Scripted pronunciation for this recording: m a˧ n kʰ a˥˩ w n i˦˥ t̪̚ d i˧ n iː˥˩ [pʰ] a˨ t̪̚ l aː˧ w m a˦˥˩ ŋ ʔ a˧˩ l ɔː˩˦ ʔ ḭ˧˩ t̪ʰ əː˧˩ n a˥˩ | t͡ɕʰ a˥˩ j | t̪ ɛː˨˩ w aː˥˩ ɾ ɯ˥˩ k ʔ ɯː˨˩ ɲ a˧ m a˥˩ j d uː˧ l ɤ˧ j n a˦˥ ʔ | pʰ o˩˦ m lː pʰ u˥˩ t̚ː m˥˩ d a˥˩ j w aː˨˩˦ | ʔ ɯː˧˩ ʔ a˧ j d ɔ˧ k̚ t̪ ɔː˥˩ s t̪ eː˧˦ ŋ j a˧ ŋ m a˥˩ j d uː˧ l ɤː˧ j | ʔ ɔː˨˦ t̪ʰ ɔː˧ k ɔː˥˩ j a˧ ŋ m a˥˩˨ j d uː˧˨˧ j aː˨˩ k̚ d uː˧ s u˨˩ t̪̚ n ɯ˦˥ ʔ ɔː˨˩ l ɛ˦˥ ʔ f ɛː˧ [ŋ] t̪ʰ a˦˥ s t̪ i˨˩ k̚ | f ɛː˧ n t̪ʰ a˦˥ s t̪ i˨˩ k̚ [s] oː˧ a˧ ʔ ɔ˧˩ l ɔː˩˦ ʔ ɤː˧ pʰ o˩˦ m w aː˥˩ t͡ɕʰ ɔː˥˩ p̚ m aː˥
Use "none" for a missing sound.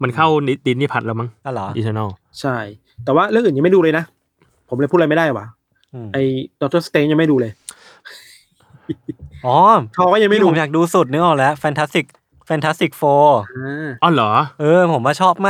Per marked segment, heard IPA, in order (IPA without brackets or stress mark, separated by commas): pʰ, n, f